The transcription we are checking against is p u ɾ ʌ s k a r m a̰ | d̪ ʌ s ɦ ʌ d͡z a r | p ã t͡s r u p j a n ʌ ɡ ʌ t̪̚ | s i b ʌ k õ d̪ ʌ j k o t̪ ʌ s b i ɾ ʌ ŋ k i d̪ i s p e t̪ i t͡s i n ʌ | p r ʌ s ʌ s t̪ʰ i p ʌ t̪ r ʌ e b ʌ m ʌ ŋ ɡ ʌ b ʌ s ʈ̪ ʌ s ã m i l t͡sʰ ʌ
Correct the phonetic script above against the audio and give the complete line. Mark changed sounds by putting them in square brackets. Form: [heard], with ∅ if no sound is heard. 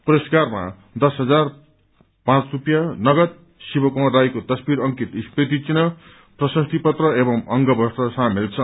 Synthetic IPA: p u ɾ ʌ s k a r m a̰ | d̪ ʌ s ɦ ʌ d͡z a r | p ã t͡s r u p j a n ʌ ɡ ʌ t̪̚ | s i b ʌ k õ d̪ [a] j k o t̪ ʌ s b i ɾ ʌ ŋ k i [t̪] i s p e t̪ i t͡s i n ʌ | p r ʌ s ʌ s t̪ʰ i p ʌ t̪ r ʌ e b ʌ m ʌ ŋ ɡ ʌ b ʌ s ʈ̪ ʌ s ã m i l t͡sʰ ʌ